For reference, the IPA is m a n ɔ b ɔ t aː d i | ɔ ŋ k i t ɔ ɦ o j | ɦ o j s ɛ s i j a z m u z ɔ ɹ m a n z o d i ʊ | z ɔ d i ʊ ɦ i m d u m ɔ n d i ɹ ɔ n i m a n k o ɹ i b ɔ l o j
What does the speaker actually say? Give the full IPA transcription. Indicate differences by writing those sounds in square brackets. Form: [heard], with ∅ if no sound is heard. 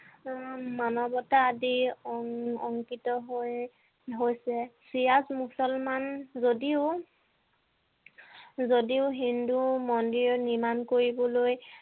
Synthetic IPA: m a n ɔ b ɔ t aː d i | ɔ ŋ k i t ɔ ɦ o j | ɦ o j s ɛ s i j a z m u [s] ɔ [l] m a n z o d i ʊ | z [o] d i ʊ ɦ i [n] d u m ɔ n d i ɹ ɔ n i m a n k o ɹ i b ɔ l o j

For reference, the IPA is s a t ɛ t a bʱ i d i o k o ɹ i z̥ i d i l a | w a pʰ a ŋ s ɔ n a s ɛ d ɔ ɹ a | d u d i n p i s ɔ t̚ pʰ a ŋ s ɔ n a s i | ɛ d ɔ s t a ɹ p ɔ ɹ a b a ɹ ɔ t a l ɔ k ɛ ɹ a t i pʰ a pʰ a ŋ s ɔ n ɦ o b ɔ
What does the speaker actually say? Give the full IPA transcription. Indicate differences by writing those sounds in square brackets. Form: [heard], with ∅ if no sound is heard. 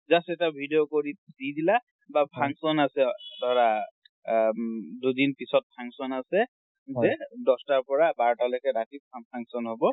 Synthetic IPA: [z] a [s] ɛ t a bʱ i d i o k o ɹ i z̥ i d i l a | [b] a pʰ a ŋ s ɔ n a s ɛ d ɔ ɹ a | d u d i n p i s ɔ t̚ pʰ a ŋ s ɔ n a s [ɛ] | ɛ d ɔ s t a ɹ p ɔ ɹ a b a ɹ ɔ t a l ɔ k ɛ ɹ a t i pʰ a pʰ a ŋ s ɔ n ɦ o b ɔ

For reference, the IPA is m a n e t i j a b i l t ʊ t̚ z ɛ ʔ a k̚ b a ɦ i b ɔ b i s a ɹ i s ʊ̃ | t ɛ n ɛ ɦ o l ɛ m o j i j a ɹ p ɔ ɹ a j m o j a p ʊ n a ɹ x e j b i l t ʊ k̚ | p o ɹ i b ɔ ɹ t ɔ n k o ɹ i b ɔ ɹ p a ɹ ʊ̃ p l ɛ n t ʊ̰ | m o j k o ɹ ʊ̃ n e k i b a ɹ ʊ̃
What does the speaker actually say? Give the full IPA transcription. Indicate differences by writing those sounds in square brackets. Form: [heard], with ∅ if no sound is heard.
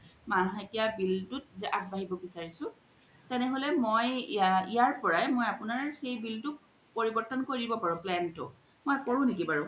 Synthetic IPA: m a n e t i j a b i l t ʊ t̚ z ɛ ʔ a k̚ b a ɦ i b ɔ b i s a ɹ i s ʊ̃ | t ɛ n ɛ ɦ o l ɛ m o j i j a ɹ p ɔ ɹ a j m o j a p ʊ n a ɹ x e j b i l t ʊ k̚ | p o ɹ i b ɔ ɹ t ɔ n k o ɹ i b ɔ [∅] p a ɹ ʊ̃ p l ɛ n t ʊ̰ | m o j k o ɹ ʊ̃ n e k i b a ɹ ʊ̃

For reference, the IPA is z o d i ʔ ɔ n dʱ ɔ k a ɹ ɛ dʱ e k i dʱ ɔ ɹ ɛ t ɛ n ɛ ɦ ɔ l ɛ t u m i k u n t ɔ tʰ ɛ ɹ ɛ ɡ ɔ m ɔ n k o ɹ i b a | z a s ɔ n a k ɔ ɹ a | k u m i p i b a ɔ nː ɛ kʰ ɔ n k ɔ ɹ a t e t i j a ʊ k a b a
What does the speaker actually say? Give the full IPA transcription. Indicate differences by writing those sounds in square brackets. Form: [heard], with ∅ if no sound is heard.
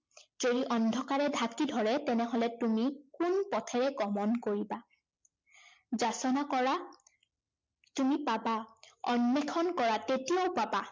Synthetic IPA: z o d i ʔ ɔ n dʱ ɔ k a ɹ ɛ dʱ [a] k i dʱ ɔ ɹ ɛ t ɛ n ɛ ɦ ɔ l ɛ t u m i k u n [p] ɔ tʰ ɛ ɹ ɛ ɡ ɔ m ɔ n k o ɹ i b a | z a s ɔ n a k ɔ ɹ a | [t] u m i p [a] b a ɔ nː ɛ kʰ ɔ n k ɔ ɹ a t e t i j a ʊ [p] a b a

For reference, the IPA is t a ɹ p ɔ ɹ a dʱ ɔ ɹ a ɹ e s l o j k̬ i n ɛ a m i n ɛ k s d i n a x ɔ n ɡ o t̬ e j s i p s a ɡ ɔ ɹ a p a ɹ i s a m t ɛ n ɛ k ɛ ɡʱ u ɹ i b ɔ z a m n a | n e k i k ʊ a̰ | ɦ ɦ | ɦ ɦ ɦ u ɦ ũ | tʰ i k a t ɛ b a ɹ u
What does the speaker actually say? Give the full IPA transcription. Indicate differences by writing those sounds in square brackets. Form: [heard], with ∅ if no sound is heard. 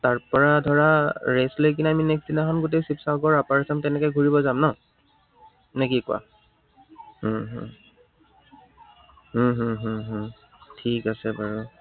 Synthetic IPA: t a ɹ p ɔ ɹ a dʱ ɔ ɹ a ɹ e s l o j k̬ i n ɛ a m i n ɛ k s d i n a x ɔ n ɡ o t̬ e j s i p s a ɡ ɔ ɹ a p a ɹ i s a m t ɛ n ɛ k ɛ ɡʱ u ɹ i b ɔ z a m n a | n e k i k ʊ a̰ | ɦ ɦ | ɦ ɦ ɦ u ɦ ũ | tʰ i k a [s] ɛ b a ɹ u

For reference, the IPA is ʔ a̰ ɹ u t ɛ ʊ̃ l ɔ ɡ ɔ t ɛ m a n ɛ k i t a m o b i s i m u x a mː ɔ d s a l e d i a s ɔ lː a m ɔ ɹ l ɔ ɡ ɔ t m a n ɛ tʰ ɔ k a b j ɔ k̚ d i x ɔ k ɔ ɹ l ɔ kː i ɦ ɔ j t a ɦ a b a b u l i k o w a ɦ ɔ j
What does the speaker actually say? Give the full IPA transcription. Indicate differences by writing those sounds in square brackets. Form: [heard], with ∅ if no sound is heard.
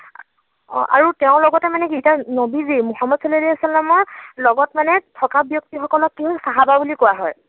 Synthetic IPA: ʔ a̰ ɹ u t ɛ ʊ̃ l ɔ ɡ ɔ t ɛ m a n ɛ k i t a [n] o b i [z] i m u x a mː ɔ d s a l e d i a s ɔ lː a m ɔ ɹ l ɔ ɡ ɔ t m a n ɛ tʰ ɔ k a b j ɔ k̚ [t] i x ɔ k ɔ [∅] l ɔ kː i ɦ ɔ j [s] a ɦ a b a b u l i k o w a ɦ ɔ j

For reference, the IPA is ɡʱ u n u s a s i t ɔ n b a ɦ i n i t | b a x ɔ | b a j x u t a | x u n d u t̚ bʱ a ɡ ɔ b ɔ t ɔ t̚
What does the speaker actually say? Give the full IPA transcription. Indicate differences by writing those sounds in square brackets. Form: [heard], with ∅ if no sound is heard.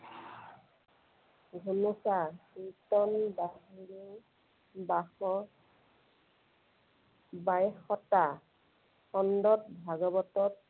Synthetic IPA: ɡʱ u n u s a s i t ɔ n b a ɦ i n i [∅] | b a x ɔ | b a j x [ɔ] t a | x [ɔ] n d [ɔ] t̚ bʱ a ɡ ɔ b ɔ t ɔ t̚

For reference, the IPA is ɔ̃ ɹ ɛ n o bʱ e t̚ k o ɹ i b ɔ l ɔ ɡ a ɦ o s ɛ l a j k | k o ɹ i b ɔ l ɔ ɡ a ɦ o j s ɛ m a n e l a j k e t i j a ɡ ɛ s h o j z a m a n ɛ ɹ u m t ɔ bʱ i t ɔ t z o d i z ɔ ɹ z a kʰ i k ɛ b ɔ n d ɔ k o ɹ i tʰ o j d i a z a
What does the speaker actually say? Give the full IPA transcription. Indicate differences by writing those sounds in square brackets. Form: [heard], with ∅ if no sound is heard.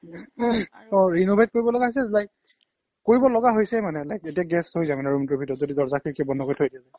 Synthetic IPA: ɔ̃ ɹ [i] n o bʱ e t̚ k o ɹ i b ɔ l ɔ ɡ a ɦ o s ɛ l a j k | k o ɹ i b ɔ l ɔ ɡ a ɦ o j s ɛ m a n [ɛ] l a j k e t i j a ɡ ɛ s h o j z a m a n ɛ ɹ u m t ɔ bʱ i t ɔ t z o d i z ɔ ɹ z a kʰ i k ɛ b ɔ n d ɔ k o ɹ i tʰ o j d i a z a

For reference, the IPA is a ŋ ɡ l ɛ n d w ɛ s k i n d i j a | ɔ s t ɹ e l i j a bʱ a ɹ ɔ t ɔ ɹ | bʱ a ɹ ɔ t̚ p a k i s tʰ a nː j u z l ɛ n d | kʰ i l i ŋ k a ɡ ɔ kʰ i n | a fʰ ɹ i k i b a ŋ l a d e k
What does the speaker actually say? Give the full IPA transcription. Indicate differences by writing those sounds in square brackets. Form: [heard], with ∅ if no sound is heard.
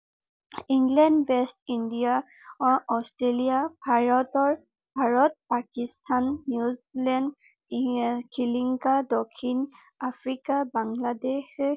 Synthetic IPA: [i] ŋ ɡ l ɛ n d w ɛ s [t] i n d i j a | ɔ s t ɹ e l i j a bʱ a ɹ ɔ t ɔ ɹ | bʱ a ɹ ɔ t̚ p a k i s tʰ a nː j u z l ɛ n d | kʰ i l i ŋ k a [d] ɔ kʰ i n | a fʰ ɹ i k [a] b a ŋ l a d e [x]

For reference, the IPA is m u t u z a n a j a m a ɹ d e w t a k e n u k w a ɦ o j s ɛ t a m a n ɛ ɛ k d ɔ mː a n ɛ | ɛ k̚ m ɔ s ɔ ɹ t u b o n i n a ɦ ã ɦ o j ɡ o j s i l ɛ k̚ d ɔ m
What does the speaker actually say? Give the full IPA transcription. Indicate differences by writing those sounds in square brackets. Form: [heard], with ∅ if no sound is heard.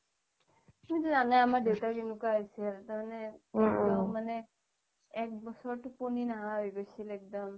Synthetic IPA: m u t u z a n a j a m a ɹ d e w t a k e n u k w a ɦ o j s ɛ t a m a n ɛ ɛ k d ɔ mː a n ɛ | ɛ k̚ [b] ɔ s ɔ ɹ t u [p] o n i n a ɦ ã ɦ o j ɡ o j s i l ɛ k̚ d ɔ m

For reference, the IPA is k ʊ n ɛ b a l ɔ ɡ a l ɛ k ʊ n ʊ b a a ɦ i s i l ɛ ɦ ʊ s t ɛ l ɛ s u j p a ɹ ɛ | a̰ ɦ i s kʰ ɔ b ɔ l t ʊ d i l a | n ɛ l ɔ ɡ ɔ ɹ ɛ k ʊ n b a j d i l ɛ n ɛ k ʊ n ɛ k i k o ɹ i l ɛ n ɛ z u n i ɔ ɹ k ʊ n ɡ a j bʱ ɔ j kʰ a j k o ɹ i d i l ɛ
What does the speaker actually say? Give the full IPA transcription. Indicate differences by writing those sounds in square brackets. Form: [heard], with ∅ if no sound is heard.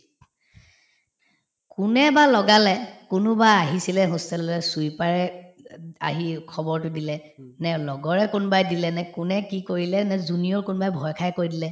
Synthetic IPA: k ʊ n ɛ b a l ɔ ɡ a l ɛ k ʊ n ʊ b a a ɦ i s i l ɛ ɦ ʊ s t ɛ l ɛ s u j p a ɹ ɛ | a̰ ɦ i [∅] kʰ ɔ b ɔ [ɹ] t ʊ d i l [ɛ] | n ɛ l ɔ ɡ ɔ ɹ ɛ k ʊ n b a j d i l ɛ n ɛ k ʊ n ɛ k i k o ɹ i l ɛ n ɛ z u n i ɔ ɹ k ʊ n [b] a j bʱ ɔ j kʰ a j k o ɹ i d i l ɛ

